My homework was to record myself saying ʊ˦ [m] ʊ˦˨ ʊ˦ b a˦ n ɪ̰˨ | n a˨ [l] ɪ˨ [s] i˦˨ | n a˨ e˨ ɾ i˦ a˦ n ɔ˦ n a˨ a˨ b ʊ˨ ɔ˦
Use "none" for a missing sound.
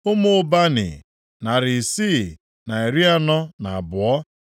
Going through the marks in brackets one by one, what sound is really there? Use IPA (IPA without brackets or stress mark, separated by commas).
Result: m, ɾ, s